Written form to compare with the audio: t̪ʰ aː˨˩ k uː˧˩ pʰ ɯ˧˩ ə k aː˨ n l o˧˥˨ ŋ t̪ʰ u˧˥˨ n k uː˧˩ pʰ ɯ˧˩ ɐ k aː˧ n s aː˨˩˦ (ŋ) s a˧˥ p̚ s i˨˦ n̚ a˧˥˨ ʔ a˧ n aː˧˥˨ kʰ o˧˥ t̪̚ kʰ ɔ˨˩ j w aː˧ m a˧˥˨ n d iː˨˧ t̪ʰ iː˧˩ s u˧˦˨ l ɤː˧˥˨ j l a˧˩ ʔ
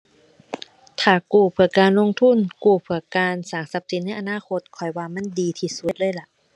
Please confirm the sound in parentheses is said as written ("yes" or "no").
yes